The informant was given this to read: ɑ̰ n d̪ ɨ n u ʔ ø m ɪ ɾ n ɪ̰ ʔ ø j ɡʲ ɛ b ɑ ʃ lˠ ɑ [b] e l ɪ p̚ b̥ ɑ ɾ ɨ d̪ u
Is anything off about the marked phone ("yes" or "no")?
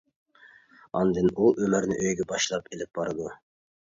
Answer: yes